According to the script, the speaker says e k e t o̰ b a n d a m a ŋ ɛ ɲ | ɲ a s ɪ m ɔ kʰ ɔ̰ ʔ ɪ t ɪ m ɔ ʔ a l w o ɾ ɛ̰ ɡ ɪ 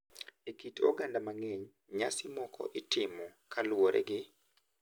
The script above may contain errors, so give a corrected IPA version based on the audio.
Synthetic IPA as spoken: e k i t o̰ ɡ a n d a m a ŋ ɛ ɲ | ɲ a s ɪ m ɔ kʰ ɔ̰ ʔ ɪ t ɪ m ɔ k a l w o ɾ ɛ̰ ɡ ɪ